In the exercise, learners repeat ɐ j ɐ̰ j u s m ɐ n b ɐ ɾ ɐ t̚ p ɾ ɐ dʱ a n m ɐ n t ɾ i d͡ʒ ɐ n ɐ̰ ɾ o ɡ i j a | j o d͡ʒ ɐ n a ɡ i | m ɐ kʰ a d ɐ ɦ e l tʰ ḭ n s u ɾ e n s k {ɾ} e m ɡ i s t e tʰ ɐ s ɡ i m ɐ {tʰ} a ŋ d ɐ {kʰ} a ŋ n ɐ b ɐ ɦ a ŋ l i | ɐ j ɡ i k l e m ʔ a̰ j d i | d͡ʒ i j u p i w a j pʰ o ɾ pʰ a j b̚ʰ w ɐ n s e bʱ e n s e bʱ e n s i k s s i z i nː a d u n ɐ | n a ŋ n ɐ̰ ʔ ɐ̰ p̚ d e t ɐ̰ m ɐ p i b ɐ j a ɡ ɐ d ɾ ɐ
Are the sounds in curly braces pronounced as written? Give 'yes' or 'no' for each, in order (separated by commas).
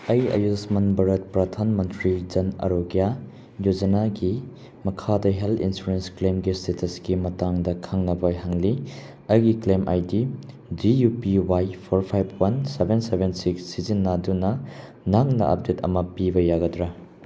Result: no, no, yes